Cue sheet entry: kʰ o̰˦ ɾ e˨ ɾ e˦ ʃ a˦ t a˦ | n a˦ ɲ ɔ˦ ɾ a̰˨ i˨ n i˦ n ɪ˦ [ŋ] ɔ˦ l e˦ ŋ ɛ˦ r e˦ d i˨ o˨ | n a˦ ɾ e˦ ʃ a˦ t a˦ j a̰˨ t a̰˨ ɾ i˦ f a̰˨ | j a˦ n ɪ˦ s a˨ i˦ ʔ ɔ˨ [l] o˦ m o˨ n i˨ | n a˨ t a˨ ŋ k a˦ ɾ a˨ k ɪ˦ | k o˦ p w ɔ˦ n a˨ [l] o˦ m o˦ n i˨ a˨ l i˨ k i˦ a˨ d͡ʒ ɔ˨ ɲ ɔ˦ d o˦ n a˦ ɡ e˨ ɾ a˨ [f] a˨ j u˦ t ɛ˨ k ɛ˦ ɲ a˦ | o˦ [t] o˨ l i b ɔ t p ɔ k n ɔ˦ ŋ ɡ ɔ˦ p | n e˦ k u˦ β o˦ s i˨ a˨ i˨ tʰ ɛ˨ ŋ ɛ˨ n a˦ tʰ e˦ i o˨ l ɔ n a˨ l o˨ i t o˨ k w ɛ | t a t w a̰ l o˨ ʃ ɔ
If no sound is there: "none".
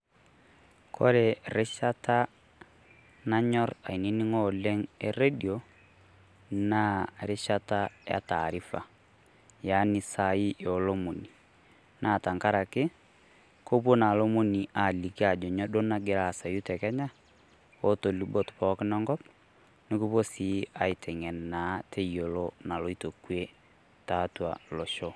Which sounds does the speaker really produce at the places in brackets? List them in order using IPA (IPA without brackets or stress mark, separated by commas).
ŋ, l, l, s, t